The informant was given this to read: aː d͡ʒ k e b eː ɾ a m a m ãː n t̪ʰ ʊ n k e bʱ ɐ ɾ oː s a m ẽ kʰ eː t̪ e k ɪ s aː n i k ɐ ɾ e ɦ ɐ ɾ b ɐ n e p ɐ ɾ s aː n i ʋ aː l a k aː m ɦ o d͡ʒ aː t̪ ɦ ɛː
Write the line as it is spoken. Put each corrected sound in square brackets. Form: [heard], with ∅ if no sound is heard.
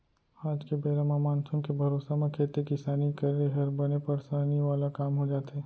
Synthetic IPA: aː d͡ʒ k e b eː ɾ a m a m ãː n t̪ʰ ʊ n k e bʱ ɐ ɾ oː s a m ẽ kʰ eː t̪ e k ɪ s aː n i k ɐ ɾ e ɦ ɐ ɾ b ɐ n e p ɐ ɾ s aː n i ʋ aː l a k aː m ɦ o d͡ʒ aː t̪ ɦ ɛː